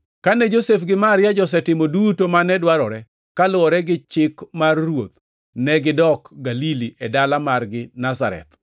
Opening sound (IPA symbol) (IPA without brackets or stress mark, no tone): k